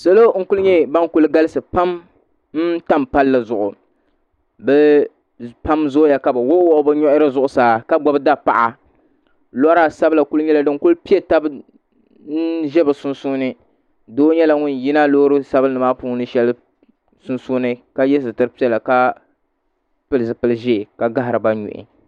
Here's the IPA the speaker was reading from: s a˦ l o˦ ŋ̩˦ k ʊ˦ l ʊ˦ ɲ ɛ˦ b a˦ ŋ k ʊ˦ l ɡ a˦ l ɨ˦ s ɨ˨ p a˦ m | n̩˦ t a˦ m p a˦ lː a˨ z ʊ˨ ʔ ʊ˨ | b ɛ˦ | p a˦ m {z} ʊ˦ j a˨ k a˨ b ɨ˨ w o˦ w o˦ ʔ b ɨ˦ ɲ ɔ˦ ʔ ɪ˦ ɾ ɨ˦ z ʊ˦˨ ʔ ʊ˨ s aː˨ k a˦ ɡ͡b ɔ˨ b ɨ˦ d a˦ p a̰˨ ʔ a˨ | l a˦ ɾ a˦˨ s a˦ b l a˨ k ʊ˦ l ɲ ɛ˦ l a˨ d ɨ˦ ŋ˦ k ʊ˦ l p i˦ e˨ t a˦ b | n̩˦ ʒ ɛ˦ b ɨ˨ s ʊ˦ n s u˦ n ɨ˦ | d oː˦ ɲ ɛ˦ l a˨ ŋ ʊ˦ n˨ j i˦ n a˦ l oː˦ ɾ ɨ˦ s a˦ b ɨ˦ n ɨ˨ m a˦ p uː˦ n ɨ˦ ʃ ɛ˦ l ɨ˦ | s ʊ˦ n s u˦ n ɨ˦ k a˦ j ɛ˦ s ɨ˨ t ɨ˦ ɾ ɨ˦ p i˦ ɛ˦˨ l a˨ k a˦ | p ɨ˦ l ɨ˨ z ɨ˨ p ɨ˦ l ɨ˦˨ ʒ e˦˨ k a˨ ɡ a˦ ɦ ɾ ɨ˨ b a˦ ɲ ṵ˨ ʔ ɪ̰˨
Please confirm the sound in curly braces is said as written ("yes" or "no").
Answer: yes